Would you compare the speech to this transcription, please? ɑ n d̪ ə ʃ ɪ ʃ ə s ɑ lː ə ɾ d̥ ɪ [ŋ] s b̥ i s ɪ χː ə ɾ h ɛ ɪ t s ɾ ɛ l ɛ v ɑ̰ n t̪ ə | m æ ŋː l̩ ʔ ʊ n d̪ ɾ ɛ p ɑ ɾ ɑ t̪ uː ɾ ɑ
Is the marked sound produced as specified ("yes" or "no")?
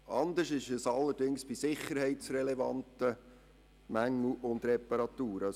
yes